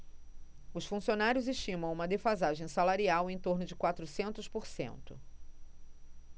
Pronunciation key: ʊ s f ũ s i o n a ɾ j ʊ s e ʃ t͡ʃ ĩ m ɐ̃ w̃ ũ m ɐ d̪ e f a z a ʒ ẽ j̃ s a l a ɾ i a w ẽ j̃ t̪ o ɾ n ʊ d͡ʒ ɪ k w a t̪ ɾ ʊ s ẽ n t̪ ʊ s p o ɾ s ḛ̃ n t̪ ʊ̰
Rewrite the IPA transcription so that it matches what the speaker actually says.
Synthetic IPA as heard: ʊ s f ũ s i o n a ɾ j ʊ z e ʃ t͡ʃ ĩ m ɐ̃ w̃ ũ m ɐ d̪ e f a z a ʒ ẽ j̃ s a l a ɾ i a w ẽ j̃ t̪ o ɾ n ʊ d͡ʒ ɪ k w a t̪ ɾ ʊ s ẽ n t̪ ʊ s p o ɾ s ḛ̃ n t̪ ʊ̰